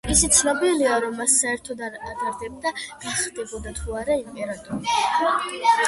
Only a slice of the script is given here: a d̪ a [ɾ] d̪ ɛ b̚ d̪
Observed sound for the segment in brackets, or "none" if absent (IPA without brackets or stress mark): ɾ